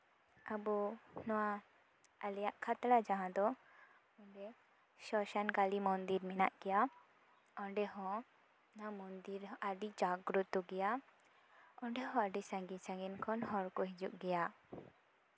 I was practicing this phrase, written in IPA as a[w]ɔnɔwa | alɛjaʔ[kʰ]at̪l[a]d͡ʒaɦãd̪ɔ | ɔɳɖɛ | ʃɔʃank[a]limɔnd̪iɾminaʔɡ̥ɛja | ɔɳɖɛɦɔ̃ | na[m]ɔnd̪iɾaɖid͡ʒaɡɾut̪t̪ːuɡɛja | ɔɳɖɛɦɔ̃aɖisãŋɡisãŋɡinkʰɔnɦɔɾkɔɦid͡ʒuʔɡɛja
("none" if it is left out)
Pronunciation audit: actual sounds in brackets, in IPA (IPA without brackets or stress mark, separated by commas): b, kʰ, a, a, m